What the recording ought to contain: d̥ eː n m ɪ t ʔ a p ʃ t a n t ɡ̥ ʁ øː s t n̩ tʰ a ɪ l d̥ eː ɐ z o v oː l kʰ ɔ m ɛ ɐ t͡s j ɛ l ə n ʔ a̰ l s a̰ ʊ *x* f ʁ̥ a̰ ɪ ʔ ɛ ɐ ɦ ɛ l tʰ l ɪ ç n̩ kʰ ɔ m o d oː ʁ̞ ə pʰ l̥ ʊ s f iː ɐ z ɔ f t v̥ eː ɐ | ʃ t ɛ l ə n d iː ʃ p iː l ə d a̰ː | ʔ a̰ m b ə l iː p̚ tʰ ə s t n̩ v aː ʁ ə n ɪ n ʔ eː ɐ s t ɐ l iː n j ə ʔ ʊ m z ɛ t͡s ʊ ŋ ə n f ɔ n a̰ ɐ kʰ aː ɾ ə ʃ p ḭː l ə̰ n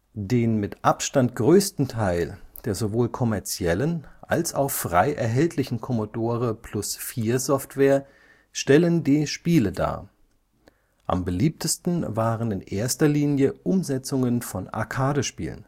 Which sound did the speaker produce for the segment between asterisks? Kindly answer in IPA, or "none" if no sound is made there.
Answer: x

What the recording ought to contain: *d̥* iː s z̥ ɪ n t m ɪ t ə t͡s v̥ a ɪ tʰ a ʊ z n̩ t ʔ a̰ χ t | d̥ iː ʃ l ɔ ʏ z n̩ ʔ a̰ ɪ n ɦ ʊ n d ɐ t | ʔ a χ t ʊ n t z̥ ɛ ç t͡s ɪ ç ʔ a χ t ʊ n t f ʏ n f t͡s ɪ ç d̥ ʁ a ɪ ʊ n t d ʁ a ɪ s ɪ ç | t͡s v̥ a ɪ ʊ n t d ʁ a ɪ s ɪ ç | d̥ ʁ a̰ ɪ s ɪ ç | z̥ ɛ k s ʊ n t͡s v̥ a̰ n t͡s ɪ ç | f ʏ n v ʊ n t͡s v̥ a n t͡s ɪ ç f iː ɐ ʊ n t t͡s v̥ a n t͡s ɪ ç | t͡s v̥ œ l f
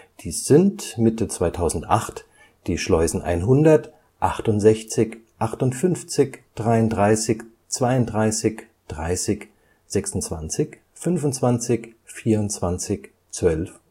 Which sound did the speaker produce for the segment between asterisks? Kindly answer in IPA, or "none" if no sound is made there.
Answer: d̥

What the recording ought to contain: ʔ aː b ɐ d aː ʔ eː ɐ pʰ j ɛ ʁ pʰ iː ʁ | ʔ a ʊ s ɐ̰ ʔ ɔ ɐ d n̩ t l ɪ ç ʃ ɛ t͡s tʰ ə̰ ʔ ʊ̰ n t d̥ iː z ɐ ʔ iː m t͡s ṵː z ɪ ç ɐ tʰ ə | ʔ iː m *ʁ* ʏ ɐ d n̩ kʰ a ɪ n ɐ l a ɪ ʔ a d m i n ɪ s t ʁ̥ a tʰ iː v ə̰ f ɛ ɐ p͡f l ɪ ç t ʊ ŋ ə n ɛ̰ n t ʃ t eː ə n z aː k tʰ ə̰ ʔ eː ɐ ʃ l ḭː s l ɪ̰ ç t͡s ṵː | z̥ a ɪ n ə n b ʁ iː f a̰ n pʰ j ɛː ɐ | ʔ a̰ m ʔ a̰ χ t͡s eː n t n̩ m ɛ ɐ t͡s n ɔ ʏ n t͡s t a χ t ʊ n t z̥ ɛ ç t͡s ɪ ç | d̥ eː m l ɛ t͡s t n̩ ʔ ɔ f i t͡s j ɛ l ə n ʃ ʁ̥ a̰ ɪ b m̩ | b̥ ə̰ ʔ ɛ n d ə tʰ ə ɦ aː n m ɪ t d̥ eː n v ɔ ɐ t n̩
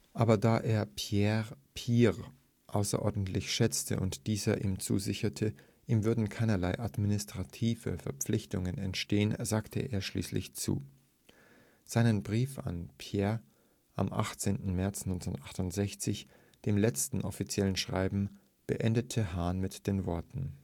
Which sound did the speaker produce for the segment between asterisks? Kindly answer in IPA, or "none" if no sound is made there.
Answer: v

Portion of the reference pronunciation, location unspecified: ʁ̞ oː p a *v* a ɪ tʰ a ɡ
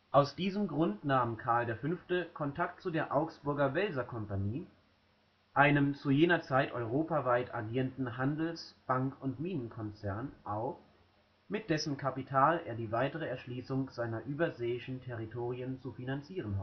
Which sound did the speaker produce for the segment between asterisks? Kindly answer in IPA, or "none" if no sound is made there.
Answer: v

